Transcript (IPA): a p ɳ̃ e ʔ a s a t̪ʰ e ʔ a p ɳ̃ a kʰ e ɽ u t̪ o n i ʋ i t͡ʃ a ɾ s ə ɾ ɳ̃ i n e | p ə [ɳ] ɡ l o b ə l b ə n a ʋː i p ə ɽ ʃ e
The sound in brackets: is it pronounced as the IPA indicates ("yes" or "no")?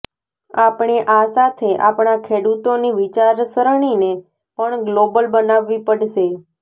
yes